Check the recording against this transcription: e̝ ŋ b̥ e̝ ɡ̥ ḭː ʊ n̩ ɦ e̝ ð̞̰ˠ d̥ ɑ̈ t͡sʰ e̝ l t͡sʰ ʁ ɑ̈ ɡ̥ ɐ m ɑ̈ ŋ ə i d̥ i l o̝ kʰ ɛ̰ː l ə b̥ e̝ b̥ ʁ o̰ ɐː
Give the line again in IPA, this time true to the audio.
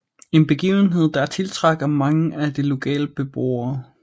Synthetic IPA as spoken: e̝ n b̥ e̝ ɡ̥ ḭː ʊ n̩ ɦ e̝ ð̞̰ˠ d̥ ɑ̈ t͡sʰ e̝ l t͡sʰ ʁ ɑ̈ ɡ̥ ɐ m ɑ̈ ŋ ə æ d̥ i l o̝ kʰ ɛ̰ː l ə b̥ e̝ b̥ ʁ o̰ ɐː